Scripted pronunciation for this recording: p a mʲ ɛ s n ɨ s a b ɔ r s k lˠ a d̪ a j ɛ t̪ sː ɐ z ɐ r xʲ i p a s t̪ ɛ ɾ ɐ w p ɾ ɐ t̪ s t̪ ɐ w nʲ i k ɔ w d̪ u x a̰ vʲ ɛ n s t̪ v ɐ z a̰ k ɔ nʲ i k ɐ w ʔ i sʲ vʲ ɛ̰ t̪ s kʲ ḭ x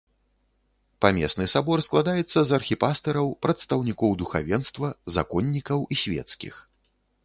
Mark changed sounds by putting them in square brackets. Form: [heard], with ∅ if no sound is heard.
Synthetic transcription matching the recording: p a mʲ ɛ s n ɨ s a b ɔ r s k lˠ a d̪ a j ɛ t̪ sː ɐ z ɐ r xʲ i p a s t̪ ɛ ɾ ɐ w p ɾ ɐ t̪ s t̪ ɐ w nʲ i k ɔ w d̪ u x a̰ vʲ ɛ n s t̪ v ɐ z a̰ k ɔ [nʲː] i k ɐ w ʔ i sʲ vʲ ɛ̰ t̪ s kʲ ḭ x